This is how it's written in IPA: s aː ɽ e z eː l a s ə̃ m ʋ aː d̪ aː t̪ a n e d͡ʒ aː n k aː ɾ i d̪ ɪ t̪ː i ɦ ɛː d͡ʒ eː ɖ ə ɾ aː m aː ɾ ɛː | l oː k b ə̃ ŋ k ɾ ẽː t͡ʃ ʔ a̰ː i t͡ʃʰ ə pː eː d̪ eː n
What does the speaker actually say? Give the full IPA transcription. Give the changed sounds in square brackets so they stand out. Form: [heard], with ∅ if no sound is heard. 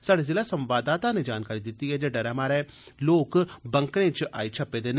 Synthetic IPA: s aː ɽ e z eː l a s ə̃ m ʋ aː d̪ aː t̪ a n e d͡ʒ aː n k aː ɾ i d̪ ɪ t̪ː i ɦ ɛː d͡ʒ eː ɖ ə ɾ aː m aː ɾ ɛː | l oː k b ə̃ ŋ k ɾ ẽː t͡ʃ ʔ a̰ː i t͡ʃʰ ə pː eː d̪ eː n